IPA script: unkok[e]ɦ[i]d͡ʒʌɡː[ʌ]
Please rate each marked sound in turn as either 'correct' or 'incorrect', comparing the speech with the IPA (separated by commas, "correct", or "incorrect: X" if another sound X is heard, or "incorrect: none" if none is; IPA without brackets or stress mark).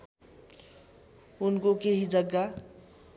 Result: correct, correct, incorrect: a